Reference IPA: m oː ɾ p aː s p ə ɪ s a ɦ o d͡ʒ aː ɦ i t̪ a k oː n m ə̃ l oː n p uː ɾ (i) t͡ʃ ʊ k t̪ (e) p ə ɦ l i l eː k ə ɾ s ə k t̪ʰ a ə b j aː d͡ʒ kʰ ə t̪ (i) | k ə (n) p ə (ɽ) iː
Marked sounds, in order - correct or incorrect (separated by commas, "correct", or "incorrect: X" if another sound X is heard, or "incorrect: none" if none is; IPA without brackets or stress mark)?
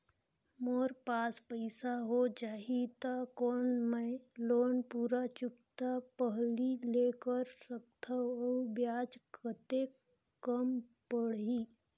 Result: incorrect: a, incorrect: a, incorrect: e, incorrect: m, correct